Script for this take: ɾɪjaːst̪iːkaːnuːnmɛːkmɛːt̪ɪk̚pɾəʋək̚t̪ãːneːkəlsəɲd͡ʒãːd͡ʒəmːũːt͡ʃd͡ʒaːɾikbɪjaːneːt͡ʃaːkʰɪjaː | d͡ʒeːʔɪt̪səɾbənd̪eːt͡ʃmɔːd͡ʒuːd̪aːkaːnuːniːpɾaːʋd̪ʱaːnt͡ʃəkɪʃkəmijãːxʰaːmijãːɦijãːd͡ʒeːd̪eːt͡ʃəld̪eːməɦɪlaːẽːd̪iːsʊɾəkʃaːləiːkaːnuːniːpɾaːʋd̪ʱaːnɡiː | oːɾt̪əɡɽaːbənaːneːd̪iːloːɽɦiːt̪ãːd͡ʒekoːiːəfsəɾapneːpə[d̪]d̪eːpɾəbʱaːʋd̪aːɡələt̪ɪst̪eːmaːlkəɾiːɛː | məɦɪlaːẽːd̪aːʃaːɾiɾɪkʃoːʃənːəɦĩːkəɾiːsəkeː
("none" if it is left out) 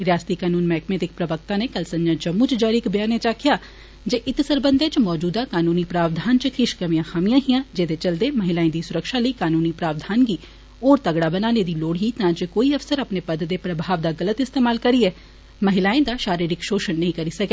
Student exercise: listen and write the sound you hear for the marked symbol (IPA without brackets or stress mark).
d̪